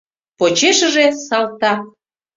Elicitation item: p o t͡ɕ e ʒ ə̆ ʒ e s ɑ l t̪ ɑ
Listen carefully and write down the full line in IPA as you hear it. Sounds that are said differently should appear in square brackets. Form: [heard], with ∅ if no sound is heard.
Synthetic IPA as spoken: p o t͡ɕ e [ʃ] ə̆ ʒ e s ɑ l t̪ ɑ